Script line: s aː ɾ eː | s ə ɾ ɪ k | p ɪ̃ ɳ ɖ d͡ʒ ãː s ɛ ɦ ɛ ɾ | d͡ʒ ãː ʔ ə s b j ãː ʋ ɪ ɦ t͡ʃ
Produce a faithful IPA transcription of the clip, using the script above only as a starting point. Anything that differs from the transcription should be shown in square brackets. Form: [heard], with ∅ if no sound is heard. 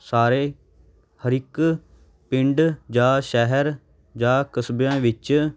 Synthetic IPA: s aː ɾ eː | [h] ə ɾ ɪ k | p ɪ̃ ɳ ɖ d͡ʒ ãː [ʃ] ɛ ɦ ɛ ɾ | d͡ʒ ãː [k] ə s b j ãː ʋ ɪ [∅] t͡ʃ